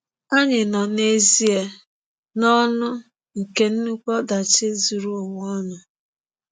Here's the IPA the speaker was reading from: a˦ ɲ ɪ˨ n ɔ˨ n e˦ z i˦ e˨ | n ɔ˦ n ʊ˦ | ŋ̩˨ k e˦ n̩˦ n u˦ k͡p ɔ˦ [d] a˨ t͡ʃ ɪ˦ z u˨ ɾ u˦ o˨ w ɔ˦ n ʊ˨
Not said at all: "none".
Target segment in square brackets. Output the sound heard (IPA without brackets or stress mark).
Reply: d